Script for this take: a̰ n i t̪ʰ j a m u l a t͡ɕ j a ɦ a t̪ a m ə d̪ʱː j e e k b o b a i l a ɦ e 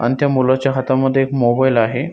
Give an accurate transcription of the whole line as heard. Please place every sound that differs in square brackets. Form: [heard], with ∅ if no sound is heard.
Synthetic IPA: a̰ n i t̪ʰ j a m u l a t͡ɕ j a ɦ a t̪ a m ə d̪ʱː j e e k [m] o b a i l a ɦ e